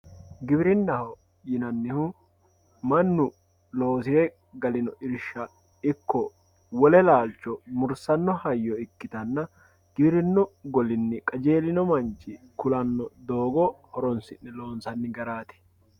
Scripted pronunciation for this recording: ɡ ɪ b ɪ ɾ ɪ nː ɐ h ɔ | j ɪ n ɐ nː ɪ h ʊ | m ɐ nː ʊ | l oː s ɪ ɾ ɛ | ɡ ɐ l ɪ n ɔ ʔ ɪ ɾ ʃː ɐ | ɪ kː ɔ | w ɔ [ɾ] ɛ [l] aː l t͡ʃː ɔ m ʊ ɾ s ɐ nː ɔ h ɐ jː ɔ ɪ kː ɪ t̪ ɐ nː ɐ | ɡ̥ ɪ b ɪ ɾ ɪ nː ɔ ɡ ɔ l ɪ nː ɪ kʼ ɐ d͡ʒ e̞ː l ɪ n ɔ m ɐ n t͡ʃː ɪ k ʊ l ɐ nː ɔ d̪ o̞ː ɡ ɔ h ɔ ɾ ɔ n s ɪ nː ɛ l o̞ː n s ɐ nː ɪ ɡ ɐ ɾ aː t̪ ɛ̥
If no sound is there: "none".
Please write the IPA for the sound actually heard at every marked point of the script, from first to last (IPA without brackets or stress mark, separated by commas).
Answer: l, l